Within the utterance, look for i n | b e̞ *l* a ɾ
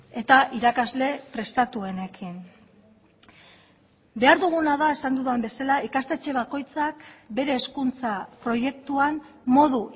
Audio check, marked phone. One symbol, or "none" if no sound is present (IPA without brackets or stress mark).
none